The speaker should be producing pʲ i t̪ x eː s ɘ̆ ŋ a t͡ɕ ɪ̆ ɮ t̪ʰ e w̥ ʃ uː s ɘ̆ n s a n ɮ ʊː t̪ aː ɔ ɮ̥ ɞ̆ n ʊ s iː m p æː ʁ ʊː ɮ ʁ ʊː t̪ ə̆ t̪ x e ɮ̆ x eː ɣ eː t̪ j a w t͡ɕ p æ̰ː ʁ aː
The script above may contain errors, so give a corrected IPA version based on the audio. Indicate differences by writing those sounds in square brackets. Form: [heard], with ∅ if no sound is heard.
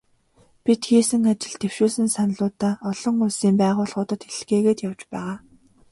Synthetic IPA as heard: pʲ i t̪ x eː s ɘ̆ ŋ a t͡ɕ ɪ̆ ɮ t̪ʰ e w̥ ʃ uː s ɘ̆ n s a n ɮ ʊː t̪ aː ɔ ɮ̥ ɞ̆ [ŋ] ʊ s iː m p æː ʁ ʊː ɮ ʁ ʊː t̪ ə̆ t̪ x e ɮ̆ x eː ɣ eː t̪ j a w t͡ɕ p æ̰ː ʁ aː